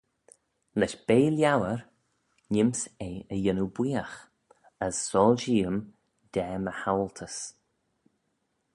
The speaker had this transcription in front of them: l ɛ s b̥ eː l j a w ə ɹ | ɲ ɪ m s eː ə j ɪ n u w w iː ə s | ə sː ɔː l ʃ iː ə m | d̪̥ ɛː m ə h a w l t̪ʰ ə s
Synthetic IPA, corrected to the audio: l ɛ ʃ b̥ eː l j a w ə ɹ | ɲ ɪ m s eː ə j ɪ n u b w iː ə x | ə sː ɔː l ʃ iː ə m | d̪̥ ɛː m ə h a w l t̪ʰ ə s